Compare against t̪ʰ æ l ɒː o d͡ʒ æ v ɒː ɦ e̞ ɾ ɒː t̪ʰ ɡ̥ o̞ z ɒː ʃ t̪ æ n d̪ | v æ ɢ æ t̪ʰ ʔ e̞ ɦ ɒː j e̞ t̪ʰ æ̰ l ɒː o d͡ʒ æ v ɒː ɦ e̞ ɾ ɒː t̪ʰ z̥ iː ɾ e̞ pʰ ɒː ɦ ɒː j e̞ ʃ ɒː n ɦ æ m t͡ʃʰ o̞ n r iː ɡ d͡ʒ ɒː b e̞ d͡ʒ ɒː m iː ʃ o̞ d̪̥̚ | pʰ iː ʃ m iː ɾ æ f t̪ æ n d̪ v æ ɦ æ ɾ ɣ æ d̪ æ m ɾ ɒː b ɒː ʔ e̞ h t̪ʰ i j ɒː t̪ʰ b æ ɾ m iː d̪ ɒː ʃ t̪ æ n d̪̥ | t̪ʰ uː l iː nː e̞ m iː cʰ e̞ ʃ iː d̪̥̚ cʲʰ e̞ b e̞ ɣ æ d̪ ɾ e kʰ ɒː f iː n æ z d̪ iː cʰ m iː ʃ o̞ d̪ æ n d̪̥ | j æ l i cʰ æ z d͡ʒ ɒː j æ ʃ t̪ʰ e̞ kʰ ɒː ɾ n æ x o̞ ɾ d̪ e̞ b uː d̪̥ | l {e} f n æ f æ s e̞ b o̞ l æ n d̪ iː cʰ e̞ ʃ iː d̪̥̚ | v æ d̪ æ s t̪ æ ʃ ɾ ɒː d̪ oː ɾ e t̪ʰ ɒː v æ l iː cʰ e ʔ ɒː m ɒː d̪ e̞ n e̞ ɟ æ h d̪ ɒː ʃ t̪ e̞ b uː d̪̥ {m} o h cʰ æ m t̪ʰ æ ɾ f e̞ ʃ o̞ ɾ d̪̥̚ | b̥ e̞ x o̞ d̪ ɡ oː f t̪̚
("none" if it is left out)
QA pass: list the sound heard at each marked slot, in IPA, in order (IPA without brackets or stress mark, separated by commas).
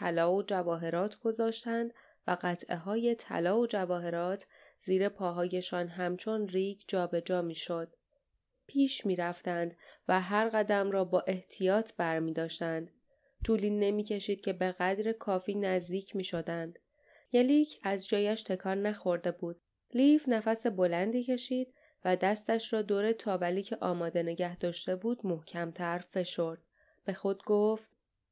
i, m